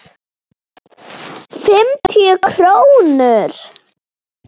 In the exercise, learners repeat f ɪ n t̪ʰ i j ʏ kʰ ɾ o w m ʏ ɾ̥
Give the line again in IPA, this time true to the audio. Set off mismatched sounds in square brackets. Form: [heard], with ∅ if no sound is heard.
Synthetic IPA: f ɪ [m] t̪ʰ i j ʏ kʰ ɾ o w [n] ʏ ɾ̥